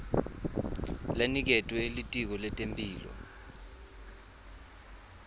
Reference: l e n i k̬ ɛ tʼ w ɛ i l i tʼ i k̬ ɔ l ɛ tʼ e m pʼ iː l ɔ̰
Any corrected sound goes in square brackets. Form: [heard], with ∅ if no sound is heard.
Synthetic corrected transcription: l [a] n i k̬ ɛ tʼ w ɛ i l i tʼ i k̬ ɔ l ɛ tʼ e m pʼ iː l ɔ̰